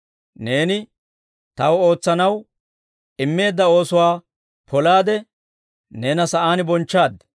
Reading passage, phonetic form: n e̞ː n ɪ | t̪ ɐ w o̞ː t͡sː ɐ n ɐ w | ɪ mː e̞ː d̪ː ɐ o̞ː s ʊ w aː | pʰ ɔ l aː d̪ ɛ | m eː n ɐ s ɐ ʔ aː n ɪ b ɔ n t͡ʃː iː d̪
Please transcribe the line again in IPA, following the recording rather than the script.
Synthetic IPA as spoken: n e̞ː n ɪ | t̪ ɐ w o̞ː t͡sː ɐ n ɐ w | ɪ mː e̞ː d̪ː ɐ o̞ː s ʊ w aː | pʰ ɔ l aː d̪ ɛ | n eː n ɐ s ɐ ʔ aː n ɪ b ɔ n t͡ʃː aː d̪